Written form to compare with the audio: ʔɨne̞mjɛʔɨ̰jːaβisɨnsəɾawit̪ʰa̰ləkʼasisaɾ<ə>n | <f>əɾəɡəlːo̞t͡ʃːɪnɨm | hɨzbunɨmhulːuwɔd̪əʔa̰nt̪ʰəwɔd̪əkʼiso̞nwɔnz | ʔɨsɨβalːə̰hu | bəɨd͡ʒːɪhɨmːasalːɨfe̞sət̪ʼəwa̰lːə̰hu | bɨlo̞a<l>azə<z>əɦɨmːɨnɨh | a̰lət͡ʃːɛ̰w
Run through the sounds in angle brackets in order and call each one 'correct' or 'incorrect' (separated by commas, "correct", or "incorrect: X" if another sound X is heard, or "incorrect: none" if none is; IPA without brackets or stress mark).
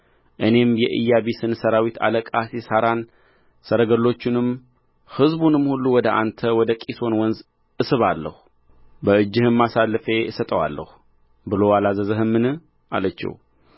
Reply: incorrect: a, incorrect: s, correct, correct